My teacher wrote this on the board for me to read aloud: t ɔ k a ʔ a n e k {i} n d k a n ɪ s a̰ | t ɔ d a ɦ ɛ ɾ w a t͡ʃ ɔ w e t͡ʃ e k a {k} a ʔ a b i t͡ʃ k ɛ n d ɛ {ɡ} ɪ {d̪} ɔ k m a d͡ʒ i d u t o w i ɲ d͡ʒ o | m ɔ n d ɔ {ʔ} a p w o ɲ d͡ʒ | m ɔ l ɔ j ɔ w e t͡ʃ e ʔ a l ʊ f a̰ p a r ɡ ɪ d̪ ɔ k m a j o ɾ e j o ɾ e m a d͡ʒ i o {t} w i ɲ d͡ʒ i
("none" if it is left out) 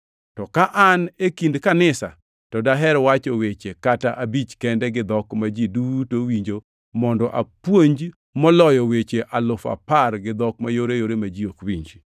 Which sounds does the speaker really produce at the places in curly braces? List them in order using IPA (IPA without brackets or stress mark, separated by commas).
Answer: i, t, ɡ, d̪, ʔ, k